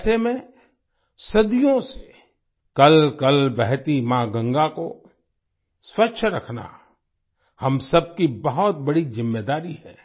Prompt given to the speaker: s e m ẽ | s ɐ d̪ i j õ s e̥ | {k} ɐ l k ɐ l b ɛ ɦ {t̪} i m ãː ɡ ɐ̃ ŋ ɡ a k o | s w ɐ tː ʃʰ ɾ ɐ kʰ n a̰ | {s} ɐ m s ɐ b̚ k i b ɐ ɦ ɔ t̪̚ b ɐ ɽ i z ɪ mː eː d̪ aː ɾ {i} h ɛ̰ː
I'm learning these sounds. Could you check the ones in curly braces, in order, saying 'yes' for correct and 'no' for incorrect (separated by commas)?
yes, yes, no, yes